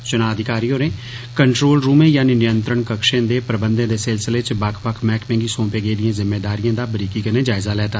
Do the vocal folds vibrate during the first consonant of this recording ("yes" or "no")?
no